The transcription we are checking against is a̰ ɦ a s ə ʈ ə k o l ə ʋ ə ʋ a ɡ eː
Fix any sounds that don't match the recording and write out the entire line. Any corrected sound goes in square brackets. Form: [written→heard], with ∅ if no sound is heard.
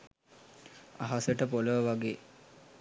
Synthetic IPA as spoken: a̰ ɦ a s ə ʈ ə [k→p] o l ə ʋ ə ʋ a ɡ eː

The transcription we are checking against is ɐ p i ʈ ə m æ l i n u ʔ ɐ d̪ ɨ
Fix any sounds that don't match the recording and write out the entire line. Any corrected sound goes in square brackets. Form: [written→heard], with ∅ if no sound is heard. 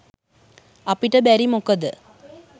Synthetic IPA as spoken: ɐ p i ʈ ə [m→b] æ [l→ɾ] i [n→m] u [ʔ→k] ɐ d̪ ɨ

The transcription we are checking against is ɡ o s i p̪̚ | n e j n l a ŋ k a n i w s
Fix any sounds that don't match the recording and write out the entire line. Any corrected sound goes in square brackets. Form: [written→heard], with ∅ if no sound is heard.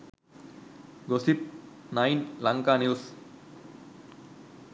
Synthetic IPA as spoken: ɡ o s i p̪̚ | n [e→a] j n l a ŋ k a n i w s

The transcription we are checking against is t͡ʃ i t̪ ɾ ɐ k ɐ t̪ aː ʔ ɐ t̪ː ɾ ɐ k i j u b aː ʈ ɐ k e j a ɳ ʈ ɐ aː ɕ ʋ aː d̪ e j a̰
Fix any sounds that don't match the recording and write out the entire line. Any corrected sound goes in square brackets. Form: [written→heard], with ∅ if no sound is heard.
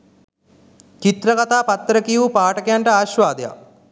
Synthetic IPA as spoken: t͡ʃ i t̪ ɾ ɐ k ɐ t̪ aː [ʔ→p] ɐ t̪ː ɾ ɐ k i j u [b→p] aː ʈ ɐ k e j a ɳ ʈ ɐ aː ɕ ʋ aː d̪ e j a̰

